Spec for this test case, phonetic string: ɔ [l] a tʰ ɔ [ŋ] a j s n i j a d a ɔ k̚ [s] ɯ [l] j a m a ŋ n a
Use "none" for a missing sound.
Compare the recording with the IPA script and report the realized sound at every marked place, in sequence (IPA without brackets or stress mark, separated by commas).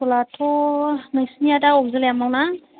l, n, z, l